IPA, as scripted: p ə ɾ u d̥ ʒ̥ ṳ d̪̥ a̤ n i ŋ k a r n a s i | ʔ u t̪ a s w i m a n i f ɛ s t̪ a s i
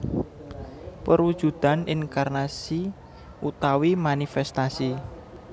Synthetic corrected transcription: p ə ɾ u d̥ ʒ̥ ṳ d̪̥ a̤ n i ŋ k a r n a s i | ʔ u t̪ a w i m a n i f ɛ s t̪ a s i